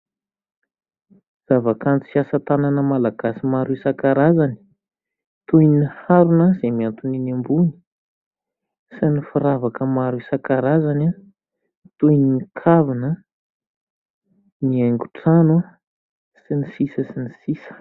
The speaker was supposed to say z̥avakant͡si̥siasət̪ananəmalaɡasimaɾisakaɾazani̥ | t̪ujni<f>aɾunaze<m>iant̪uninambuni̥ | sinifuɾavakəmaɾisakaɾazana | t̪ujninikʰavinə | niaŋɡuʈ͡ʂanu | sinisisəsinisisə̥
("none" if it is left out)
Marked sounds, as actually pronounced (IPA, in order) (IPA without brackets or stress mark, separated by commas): h, m